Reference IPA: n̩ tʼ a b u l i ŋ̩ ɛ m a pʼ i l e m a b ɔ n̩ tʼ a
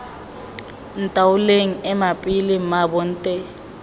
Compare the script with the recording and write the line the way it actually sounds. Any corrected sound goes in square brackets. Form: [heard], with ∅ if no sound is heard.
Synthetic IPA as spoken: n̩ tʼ a [w] u l [e] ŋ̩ ɛ m a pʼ i l [i] m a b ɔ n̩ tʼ [ɛ]